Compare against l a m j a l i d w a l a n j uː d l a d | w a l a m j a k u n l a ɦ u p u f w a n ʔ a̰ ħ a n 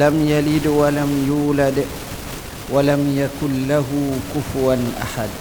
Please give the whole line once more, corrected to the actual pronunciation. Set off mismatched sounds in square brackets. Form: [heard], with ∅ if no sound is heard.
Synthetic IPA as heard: l a m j a l i d w a l a [m] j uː [∅] l a d | w a l a m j a k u n l a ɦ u [k] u f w a n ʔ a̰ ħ a [d]